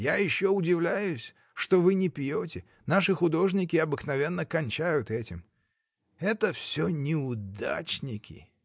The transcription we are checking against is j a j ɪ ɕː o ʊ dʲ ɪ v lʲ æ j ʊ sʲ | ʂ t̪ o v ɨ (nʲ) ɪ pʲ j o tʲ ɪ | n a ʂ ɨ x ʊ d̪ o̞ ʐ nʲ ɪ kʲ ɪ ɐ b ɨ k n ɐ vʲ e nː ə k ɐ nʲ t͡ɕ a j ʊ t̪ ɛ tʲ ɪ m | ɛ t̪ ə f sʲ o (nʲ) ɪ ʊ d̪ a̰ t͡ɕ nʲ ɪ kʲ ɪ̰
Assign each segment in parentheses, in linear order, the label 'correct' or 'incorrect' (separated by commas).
correct, correct